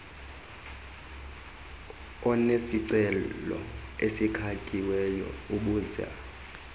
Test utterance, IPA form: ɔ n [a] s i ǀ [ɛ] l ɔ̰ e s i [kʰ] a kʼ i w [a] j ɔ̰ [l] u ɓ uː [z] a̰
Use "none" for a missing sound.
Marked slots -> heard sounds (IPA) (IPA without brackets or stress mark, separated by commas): e, ɛ, kʰ, ɛ, none, z